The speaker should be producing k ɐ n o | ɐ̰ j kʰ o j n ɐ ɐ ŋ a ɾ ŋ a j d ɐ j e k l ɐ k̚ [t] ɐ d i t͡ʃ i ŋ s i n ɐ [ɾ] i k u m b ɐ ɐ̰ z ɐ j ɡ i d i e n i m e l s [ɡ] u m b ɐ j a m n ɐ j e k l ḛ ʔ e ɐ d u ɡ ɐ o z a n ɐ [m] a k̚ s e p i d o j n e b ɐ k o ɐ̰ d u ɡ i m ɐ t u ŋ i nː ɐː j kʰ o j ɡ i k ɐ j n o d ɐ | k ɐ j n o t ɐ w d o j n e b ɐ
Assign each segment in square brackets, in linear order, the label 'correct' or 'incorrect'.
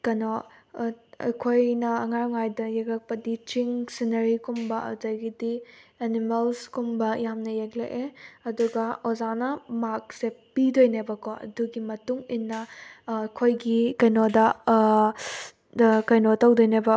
incorrect: p, correct, incorrect: k, correct

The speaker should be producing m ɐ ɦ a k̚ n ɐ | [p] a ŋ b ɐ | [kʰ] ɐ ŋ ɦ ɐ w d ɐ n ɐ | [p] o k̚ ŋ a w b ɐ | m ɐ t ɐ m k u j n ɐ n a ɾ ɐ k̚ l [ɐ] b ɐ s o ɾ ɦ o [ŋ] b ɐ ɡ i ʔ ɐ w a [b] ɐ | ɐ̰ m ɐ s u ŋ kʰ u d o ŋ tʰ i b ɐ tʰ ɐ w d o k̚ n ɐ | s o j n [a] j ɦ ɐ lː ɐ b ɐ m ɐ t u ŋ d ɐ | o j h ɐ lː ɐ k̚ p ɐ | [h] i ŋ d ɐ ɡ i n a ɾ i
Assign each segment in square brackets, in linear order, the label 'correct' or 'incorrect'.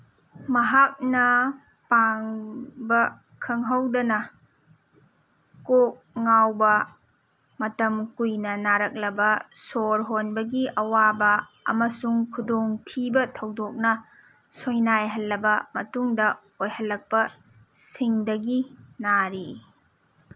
correct, correct, incorrect: k, correct, incorrect: n, correct, correct, incorrect: s

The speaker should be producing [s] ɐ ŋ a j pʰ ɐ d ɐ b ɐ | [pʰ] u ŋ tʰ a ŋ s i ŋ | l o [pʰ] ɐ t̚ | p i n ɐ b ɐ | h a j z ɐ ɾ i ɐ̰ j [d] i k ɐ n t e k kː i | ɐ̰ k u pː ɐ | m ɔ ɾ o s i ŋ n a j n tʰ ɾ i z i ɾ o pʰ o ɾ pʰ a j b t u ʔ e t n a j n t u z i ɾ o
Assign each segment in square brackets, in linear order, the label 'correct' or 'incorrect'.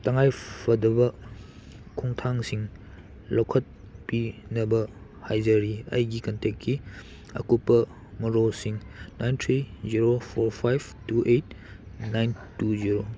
incorrect: t, incorrect: kʰ, incorrect: kʰ, incorrect: ɡ

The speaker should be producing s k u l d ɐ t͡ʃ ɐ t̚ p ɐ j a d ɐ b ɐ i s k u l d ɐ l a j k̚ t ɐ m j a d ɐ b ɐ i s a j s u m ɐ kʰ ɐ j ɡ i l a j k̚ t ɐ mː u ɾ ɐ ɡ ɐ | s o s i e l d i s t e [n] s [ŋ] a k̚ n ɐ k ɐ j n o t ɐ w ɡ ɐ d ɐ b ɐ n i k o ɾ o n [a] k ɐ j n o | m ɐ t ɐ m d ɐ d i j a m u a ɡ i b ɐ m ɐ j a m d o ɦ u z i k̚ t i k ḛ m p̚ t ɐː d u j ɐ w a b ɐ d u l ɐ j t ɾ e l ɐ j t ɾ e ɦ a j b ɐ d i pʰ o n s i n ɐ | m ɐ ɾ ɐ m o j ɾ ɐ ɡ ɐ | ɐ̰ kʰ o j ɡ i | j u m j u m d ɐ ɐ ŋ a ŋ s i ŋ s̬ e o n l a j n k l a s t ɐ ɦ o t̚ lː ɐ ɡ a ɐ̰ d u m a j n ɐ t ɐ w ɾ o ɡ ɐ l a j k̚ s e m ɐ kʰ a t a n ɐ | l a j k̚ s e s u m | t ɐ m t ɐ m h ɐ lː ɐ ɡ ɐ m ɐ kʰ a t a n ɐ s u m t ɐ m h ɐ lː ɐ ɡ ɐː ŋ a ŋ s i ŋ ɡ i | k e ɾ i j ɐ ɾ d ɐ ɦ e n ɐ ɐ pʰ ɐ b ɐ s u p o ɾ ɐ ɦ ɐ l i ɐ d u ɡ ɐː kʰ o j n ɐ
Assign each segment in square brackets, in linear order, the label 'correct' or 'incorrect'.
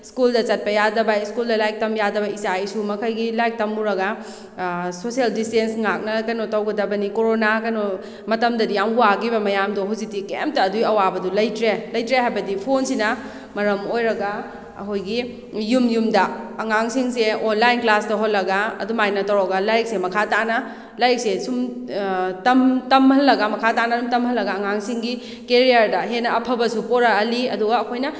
correct, correct, correct

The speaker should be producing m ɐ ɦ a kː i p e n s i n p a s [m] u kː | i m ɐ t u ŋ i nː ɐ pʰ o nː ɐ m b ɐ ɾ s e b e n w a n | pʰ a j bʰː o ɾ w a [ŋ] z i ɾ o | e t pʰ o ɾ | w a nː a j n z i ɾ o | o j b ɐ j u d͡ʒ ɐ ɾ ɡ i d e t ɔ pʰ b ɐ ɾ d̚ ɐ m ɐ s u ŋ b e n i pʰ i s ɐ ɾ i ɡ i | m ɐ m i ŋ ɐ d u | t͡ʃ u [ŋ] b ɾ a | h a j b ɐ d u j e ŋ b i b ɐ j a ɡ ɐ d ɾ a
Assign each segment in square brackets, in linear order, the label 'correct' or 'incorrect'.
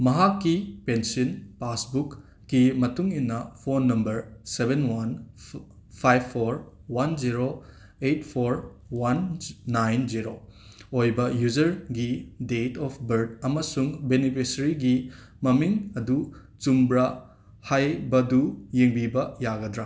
incorrect: b, incorrect: n, incorrect: m

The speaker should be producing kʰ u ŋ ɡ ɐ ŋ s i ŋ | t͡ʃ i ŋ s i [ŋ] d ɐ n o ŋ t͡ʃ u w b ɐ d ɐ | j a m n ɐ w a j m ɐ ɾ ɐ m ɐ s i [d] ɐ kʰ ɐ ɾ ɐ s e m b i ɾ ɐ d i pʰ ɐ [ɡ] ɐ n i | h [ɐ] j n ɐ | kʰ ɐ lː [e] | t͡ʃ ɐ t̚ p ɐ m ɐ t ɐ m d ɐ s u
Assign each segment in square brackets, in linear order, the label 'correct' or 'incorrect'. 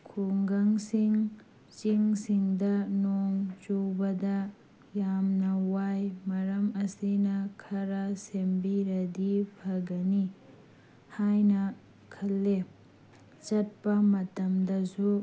correct, incorrect: n, correct, incorrect: a, correct

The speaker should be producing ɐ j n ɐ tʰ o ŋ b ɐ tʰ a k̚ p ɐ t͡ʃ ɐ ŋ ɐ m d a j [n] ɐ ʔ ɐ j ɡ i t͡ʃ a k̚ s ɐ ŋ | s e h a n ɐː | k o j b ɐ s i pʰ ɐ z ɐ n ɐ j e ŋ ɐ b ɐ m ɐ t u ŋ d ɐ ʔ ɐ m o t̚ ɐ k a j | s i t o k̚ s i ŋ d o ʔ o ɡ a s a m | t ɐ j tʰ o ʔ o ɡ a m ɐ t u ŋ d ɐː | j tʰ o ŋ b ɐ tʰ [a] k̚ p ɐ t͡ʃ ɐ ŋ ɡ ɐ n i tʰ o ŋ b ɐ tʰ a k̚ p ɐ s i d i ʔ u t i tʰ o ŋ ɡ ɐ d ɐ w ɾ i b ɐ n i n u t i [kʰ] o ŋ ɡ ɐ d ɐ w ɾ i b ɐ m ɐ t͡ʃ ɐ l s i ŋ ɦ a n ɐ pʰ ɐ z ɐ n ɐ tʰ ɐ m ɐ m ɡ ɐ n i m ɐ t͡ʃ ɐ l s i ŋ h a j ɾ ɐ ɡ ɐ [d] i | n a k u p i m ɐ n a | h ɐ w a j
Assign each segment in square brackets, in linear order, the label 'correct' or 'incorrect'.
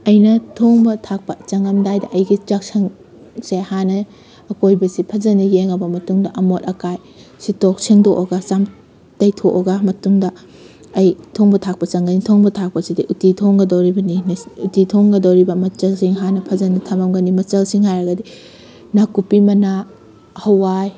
incorrect: d, correct, incorrect: tʰ, correct

